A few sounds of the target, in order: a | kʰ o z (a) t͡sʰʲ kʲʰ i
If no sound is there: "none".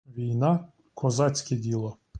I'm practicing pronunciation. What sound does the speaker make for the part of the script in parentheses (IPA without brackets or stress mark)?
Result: a